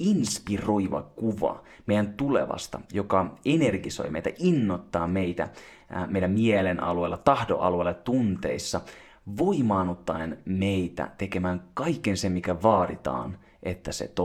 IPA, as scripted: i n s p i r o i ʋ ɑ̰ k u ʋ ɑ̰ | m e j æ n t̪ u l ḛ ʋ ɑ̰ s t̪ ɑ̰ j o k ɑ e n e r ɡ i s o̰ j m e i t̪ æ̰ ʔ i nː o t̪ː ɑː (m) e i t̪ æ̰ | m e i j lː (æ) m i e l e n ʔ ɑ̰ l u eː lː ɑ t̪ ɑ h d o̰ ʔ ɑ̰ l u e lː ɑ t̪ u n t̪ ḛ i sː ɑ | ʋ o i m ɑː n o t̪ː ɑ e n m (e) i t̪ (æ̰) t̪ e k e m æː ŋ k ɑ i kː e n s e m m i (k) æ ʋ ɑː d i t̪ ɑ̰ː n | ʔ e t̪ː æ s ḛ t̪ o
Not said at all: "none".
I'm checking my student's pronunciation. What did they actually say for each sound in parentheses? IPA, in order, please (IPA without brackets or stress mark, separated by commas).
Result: m, æ, e, æ̰, k